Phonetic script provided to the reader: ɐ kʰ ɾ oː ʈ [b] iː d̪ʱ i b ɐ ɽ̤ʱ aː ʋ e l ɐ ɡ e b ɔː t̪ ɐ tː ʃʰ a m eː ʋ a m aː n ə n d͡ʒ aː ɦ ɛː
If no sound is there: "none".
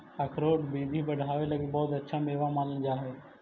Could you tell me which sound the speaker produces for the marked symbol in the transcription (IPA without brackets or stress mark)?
b